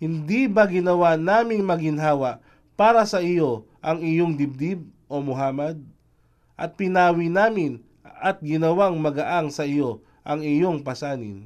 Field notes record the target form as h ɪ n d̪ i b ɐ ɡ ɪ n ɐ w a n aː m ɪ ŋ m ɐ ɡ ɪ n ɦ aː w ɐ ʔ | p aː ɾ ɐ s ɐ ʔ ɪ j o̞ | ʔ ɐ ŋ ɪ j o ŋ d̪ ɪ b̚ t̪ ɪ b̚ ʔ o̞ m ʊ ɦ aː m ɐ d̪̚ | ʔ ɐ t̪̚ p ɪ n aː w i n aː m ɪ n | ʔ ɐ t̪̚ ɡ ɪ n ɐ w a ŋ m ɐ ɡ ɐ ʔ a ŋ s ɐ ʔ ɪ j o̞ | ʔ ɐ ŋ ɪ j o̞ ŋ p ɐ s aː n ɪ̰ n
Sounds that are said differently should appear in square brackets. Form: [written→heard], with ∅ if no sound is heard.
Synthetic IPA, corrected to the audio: h ɪ n d̪ i b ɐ ɡ ɪ n ɐ w a n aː m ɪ ŋ m ɐ ɡ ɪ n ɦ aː w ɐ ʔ | p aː ɾ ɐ s ɐ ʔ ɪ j o̞ | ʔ ɐ ŋ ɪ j o ŋ d̪ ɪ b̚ [t̪→d̪] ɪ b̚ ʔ o̞ m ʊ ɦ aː m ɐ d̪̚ | ʔ ɐ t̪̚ p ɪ n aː w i n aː m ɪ n | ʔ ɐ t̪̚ ɡ ɪ n ɐ w a ŋ m ɐ ɡ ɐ ʔ a ŋ s ɐ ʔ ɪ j o̞ | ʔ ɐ ŋ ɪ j o̞ ŋ p ɐ s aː n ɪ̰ n